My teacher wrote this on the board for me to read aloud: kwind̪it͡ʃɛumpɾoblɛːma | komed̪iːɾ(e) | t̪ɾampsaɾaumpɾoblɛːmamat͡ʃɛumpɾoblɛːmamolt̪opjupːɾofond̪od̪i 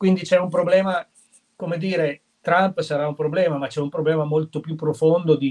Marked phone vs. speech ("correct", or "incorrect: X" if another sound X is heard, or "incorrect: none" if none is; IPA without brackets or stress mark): correct